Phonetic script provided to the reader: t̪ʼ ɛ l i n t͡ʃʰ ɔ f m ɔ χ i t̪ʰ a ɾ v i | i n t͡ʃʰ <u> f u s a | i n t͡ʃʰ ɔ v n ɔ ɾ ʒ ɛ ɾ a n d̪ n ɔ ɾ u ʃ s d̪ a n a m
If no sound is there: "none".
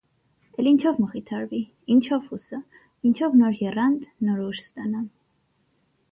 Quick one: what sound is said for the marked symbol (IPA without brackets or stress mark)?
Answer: ɔ